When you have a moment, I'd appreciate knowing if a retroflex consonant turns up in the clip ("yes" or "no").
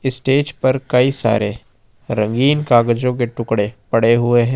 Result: yes